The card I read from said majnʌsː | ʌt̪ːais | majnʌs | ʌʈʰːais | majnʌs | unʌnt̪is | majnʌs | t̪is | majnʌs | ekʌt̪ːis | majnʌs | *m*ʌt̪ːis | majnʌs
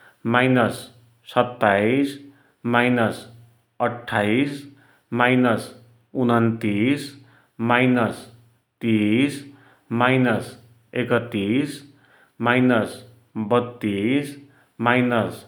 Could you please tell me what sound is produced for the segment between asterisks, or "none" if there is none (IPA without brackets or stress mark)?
b